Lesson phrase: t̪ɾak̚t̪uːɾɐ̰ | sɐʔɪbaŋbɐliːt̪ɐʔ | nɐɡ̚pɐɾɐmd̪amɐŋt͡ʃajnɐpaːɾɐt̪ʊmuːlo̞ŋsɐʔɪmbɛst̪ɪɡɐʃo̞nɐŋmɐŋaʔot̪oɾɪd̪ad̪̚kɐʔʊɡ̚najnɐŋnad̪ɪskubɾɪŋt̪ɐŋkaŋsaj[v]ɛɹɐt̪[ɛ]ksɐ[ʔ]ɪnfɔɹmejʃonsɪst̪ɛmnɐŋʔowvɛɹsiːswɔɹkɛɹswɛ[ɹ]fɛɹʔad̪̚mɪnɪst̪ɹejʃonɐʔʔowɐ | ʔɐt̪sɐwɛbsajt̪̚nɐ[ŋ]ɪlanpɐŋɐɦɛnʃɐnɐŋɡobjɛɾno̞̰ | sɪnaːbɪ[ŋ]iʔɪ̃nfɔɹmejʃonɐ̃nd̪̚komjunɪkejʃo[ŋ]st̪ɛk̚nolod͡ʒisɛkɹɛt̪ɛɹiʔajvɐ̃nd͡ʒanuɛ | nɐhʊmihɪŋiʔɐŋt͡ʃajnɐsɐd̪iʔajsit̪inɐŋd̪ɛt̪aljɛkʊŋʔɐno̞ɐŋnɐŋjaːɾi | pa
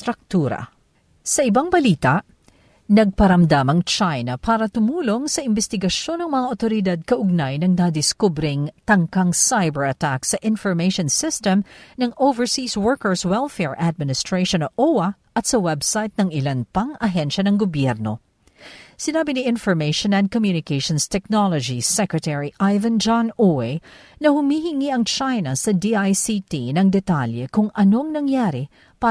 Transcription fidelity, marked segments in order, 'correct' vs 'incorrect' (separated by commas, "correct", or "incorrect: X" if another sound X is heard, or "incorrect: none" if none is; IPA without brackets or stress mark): incorrect: b, incorrect: a, correct, incorrect: l, correct, incorrect: n, incorrect: n